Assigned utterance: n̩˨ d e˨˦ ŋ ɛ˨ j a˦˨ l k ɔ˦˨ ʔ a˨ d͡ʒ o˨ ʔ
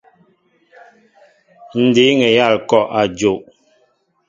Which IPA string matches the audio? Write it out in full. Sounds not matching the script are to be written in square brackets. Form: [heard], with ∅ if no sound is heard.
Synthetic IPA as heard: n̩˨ d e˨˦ ŋ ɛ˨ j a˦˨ l k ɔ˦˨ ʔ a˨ d͡ʒ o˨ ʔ